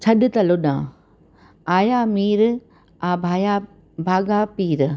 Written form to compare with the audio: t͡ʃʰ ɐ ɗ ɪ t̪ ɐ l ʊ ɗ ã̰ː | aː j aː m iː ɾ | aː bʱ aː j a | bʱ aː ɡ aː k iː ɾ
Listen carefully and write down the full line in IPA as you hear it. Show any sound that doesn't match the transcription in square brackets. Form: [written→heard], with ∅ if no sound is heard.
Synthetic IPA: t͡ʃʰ ɐ ɗ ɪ t̪ ɐ l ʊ ɗ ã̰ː | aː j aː m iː ɾ | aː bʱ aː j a | bʱ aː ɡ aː [k→p] iː ɾ